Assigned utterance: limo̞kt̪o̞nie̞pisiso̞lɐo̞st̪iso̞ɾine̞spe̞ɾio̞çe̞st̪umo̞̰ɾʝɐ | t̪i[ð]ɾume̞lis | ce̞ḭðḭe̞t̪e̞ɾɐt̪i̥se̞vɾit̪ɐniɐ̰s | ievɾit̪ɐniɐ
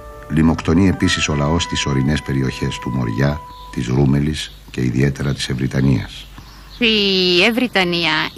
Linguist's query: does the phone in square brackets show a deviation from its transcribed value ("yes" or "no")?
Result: yes